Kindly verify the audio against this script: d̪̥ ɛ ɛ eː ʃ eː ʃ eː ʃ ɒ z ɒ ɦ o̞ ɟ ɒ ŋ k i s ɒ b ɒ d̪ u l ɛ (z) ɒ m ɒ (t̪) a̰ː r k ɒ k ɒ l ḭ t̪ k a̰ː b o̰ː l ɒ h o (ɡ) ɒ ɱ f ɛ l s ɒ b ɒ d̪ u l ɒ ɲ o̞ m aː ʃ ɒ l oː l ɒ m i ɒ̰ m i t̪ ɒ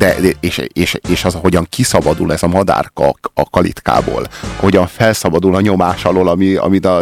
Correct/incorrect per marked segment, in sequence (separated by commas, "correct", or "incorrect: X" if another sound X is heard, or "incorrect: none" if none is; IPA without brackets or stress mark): correct, incorrect: d̪, incorrect: ɟ